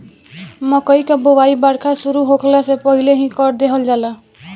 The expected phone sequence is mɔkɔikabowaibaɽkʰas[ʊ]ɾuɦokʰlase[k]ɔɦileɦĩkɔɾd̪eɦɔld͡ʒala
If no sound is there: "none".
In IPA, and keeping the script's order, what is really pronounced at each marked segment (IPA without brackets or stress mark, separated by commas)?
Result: u, p